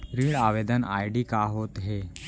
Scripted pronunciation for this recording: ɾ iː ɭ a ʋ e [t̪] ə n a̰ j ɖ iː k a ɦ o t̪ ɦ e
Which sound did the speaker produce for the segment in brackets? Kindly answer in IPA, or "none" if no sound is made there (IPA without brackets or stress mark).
d̪